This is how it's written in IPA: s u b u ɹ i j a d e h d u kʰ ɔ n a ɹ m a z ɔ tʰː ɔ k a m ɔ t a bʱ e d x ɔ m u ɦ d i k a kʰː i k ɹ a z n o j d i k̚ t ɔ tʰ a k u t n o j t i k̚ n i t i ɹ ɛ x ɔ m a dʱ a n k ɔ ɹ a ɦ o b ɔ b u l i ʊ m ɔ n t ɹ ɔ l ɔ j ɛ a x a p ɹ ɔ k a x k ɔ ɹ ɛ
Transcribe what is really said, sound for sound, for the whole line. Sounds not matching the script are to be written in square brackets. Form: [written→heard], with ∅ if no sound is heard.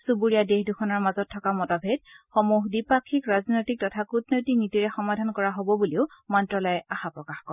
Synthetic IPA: s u b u ɹ i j a d e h d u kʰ ɔ n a ɹ m a z ɔ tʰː ɔ k a m ɔ t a bʱ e d x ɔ m u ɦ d i [k→p] a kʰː i k ɹ a z n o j [d→t] i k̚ t ɔ tʰ a k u t n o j t i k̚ n i t i ɹ ɛ x ɔ m a dʱ a n k ɔ ɹ a ɦ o b ɔ b u l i ʊ m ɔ n t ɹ ɔ l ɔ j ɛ a x a p ɹ ɔ k a x k ɔ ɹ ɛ